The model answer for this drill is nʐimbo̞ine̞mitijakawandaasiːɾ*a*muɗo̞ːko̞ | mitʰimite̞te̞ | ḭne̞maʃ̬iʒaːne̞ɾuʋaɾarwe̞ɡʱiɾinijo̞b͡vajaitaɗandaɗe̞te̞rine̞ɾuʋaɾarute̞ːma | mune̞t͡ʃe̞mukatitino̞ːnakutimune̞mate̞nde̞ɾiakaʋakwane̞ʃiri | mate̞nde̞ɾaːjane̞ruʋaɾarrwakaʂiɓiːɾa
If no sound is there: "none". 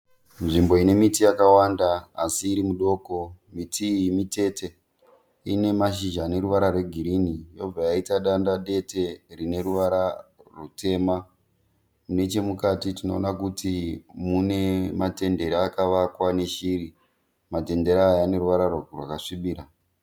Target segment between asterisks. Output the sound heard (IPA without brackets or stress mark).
i